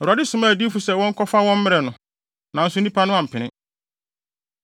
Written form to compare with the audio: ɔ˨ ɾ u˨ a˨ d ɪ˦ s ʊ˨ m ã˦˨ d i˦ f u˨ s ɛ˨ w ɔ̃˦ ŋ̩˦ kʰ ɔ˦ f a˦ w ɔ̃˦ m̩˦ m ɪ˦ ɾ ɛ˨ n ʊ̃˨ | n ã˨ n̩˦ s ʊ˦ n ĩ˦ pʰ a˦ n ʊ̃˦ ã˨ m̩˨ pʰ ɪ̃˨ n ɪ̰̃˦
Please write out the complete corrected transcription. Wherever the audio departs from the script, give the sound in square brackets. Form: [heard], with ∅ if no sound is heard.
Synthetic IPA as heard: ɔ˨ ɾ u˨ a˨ d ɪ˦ s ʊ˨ m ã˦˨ d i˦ f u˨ s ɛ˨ w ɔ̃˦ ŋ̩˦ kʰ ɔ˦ f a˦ w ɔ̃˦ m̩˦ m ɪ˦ ɾ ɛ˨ n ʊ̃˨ | n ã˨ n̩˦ s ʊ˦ n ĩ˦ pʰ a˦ n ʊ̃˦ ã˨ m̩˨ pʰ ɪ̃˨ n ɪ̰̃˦